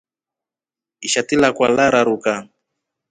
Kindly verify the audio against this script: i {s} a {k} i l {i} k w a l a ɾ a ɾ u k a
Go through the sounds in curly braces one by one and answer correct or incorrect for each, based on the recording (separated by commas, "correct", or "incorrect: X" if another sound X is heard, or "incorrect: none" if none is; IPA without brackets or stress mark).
incorrect: ʃ, incorrect: t, incorrect: a